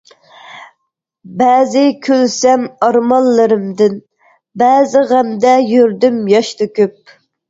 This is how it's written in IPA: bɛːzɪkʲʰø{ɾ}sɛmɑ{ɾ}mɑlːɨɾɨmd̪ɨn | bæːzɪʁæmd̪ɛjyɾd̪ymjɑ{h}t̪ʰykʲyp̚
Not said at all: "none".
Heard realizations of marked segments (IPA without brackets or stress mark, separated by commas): l, ɾ, ʃ